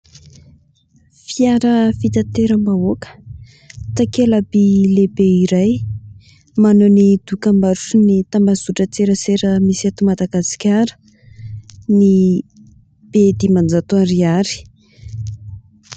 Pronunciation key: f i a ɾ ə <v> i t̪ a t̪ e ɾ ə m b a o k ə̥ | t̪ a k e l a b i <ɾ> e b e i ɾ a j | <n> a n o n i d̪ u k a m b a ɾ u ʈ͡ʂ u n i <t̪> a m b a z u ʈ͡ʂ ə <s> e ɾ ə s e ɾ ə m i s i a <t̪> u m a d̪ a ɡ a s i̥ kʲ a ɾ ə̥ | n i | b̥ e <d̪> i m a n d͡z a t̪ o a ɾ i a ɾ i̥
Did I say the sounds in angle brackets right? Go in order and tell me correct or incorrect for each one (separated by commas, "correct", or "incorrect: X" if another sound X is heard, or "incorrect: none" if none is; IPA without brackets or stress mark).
incorrect: f, incorrect: l, incorrect: m, correct, incorrect: t͡s, correct, correct